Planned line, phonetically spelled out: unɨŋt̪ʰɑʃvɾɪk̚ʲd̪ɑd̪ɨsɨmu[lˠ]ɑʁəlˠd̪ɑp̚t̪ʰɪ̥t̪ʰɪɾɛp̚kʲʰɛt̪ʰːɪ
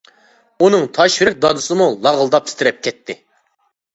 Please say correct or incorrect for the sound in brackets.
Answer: correct